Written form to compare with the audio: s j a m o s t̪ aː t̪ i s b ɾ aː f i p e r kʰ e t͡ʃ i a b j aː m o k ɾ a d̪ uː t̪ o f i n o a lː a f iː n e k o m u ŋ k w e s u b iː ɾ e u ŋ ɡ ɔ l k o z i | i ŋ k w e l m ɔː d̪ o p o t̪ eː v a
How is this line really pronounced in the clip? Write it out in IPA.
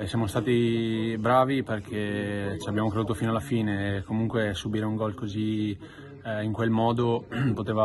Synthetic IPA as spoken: s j a m o s t̪ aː t̪ i b ɾ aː v i p e r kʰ e t͡ʃ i a b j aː m o k ɾ e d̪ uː t̪ o f i n o a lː a f iː n e k o m u ŋ k w e s u b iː ɾ e u ŋ ɡ ɔ l k o z i | i ŋ k w e l m ɔː d̪ o p o t̪ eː v a